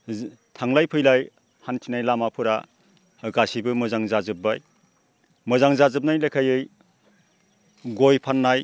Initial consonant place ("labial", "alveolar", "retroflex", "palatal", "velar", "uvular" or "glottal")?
alveolar